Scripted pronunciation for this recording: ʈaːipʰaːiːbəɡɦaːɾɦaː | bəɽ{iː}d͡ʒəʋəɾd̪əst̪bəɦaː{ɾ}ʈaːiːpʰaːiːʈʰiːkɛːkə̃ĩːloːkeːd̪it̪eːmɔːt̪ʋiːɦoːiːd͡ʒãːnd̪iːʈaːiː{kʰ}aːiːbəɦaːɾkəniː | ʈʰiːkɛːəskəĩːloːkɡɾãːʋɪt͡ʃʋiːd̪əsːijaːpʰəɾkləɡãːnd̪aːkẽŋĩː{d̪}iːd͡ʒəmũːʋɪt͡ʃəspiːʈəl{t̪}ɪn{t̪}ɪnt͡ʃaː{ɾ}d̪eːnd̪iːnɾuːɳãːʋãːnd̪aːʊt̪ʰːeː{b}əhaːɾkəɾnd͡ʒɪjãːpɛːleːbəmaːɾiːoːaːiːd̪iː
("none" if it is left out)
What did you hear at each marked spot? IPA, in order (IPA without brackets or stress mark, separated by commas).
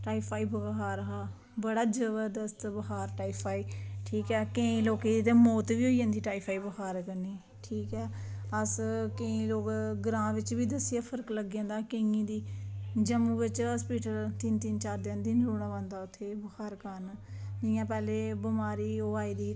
aː, ɾ, pʰ, d̪, t̪, t̪, ɾ, b